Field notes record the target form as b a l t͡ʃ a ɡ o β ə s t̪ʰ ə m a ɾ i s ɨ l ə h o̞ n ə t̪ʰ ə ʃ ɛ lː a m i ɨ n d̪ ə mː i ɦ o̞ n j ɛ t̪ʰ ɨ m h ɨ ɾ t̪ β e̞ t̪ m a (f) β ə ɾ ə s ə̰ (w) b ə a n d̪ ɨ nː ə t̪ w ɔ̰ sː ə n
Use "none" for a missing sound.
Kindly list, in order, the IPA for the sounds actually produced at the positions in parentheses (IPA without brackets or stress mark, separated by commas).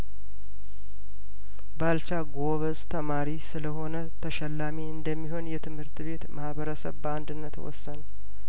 h, β